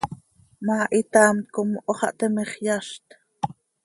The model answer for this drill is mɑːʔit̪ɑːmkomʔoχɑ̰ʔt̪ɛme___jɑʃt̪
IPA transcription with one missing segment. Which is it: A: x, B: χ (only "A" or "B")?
B